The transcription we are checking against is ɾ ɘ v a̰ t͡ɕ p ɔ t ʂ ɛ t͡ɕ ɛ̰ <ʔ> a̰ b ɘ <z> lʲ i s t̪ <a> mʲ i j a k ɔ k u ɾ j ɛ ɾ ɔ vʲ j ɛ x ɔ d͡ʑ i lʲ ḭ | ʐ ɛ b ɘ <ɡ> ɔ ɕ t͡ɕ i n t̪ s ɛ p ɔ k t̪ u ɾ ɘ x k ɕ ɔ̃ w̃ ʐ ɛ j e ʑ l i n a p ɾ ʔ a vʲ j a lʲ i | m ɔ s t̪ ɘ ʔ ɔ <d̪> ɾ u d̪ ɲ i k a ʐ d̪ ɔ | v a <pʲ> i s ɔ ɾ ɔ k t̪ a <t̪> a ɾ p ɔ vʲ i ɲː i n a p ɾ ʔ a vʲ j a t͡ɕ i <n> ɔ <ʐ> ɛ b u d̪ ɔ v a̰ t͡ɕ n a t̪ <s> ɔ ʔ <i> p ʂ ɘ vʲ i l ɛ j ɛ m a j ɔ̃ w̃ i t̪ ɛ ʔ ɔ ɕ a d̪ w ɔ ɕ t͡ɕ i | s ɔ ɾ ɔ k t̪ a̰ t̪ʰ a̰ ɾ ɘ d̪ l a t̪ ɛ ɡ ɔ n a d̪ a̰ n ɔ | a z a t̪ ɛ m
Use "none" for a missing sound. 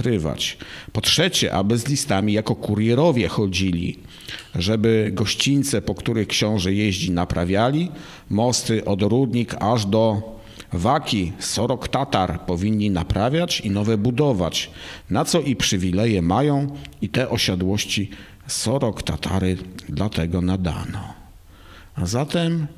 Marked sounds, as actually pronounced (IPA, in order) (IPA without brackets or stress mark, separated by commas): ʔ, z, a, ɡ, d̪, kʲ, t̪, n, v, s, i